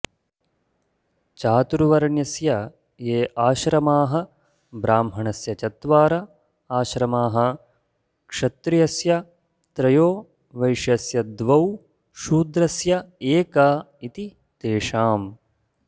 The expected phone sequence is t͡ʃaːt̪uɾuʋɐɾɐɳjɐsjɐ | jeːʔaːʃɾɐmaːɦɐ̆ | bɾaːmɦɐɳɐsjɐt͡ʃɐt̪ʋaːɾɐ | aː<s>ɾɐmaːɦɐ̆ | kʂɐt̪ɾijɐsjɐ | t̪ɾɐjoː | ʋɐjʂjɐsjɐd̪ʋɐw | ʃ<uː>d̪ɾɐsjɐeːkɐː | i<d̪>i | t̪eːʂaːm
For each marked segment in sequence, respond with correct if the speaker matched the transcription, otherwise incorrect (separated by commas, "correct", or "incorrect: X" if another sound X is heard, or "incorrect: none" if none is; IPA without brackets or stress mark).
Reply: incorrect: ʃ, correct, incorrect: t̪